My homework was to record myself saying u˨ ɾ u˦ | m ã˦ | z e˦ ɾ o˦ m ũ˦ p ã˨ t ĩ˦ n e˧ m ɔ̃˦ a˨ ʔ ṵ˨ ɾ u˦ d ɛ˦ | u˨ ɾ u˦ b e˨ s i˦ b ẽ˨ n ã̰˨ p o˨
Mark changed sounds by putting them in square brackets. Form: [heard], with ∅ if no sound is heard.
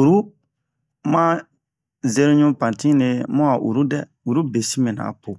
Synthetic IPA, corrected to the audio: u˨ ɾ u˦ | m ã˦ | z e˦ ɾ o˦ [ɲ] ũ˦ p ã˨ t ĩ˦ n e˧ m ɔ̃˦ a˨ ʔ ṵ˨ ɾ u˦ d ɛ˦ | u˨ ɾ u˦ b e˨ s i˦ [m] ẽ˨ n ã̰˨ p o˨